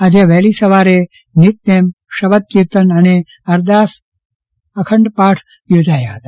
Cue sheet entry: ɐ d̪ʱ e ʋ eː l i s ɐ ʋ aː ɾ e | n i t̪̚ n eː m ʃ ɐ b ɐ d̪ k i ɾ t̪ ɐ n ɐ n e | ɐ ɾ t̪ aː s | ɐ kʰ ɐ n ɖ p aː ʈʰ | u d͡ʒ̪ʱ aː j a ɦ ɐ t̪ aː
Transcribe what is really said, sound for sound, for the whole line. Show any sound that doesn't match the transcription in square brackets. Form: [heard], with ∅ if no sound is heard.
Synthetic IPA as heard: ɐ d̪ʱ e ʋ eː l i s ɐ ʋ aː ɾ e | n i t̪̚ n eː m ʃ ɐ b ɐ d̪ k i ɾ t̪ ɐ n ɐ n e | ɐ ɾ [d̪] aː s | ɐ kʰ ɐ [ɳ] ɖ p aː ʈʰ | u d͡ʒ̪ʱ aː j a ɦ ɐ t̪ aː